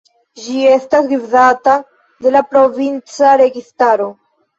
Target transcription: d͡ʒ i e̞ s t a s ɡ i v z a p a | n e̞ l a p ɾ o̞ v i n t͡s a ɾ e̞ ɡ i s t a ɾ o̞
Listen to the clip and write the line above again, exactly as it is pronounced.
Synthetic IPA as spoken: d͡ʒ i e̞ s t a s ɡ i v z a t a | d e̞ l a p ɾ o̞ v i n t͡s a ɾ e̞ ɡ i s t a ɾ o̞